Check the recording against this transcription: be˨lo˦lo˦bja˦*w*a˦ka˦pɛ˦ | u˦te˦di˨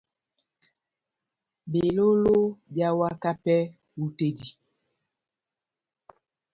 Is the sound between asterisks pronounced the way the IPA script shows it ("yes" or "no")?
yes